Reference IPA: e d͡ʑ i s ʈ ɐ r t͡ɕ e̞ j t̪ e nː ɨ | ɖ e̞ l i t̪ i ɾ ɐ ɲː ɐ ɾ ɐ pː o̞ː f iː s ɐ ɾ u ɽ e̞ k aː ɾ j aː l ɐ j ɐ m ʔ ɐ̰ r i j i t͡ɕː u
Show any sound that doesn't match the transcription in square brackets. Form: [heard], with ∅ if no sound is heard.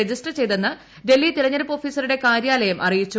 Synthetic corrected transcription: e d͡ʑ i s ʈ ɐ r t͡ɕ e̞ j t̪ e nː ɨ | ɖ e̞ [lː] i t̪ i ɾ ɐ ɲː ɐ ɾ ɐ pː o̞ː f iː s ɐ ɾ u ɽ e̞ k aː ɾ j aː l ɐ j ɐ m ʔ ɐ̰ r i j i t͡ɕː u